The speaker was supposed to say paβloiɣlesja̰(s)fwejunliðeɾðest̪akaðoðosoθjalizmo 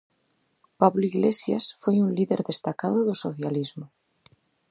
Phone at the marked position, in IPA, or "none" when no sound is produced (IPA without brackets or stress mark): s